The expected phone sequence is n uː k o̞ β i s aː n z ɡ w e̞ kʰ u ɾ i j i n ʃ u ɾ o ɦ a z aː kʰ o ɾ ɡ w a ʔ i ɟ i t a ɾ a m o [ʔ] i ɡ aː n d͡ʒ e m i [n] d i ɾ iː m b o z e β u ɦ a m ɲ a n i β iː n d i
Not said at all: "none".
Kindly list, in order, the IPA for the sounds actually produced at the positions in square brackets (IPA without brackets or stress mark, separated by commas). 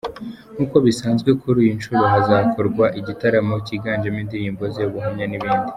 c, n